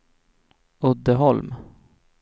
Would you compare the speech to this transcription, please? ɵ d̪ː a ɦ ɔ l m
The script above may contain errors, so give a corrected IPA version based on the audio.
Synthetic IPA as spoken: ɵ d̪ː ə ɦ ɔ l m